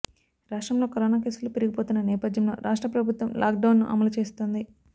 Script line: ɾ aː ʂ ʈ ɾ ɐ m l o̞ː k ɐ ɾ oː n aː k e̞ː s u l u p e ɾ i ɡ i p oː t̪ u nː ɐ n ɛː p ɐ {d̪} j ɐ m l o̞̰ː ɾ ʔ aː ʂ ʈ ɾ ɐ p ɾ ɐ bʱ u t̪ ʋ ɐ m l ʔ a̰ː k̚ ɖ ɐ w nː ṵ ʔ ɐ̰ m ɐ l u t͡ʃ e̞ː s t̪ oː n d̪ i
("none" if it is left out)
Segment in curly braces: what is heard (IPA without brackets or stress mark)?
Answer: d̪